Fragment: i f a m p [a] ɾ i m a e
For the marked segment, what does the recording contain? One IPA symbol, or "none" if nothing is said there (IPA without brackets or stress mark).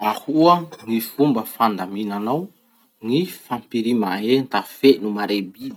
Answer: i